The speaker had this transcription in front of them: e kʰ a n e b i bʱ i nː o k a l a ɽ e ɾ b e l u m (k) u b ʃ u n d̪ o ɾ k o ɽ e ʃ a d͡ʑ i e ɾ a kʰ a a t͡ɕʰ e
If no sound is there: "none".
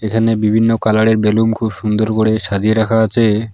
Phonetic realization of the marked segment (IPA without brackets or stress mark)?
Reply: kʰ